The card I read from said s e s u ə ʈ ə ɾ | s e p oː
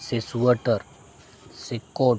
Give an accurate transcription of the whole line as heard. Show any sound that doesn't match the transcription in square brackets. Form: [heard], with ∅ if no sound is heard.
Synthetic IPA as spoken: s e s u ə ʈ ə ɾ | s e [k] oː